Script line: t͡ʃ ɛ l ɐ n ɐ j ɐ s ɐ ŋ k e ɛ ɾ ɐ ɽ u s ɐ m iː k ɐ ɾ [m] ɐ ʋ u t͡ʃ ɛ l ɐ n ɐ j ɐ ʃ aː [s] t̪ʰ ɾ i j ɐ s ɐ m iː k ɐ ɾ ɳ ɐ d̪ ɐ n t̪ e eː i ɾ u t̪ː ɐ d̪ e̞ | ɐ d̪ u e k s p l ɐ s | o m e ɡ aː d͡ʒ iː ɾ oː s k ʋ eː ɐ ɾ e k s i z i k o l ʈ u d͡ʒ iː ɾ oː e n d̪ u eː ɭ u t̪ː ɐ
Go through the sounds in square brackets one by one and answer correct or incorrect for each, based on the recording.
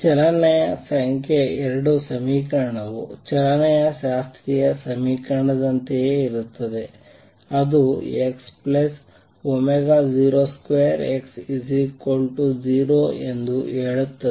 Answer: incorrect: ɳ, correct

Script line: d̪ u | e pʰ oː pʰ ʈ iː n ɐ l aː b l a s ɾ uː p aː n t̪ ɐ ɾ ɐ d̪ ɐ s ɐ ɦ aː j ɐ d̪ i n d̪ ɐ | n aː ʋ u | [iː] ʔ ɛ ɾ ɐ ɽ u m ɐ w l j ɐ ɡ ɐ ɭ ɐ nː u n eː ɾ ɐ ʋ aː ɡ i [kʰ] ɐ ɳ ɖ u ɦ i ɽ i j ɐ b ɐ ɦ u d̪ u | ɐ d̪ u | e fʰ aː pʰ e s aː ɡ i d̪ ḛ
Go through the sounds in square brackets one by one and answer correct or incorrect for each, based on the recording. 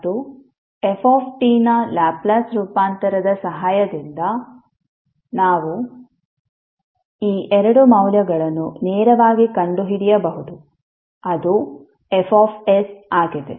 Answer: correct, incorrect: k

